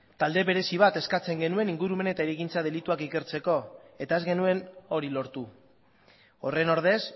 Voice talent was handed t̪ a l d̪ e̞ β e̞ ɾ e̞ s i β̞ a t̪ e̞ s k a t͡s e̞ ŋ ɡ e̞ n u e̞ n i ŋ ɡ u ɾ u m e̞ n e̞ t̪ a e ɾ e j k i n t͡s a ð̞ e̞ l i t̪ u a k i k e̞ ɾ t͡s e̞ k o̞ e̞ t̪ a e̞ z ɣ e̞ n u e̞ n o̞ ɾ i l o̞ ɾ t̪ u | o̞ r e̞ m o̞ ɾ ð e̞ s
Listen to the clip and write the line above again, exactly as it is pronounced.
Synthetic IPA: t̪ a l d̪ e̞ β e̞ ɾ e̞ s i β̞ a t̪ e̞ s k a t͡s e̞ ŋ ɡ e̞ n u e̞ n i ŋ ɡ u ɾ u m e̞ n e̞ t̪ a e ɾ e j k i n t͡s a ð̞ e̞ l i t̪ u a k i k e̞ ɾ t͡s e̞ k o̞ e̞ t̪ a e̞ z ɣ e̞ n u e̞ n o̞ ɾ i l o̞ ɾ t̪ u | o̞ r e̞ n o̞ ɾ ð e̞ s